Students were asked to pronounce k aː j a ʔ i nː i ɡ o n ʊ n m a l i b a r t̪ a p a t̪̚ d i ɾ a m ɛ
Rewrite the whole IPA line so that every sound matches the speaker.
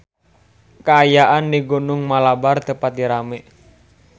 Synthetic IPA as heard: k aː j a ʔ a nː i ɡ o n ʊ ŋ m a l a b a r t̪ ə p a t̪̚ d i ɾ a m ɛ